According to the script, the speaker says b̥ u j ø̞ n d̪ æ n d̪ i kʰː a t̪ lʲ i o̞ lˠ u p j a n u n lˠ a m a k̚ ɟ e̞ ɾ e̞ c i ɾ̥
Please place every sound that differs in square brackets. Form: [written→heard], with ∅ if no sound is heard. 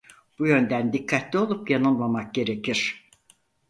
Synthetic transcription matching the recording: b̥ u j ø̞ n d̪ æ n d̪ i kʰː a t̪ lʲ i o̞ lˠ u p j a n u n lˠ a m a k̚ ɟ e̞ ɾ e̞ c i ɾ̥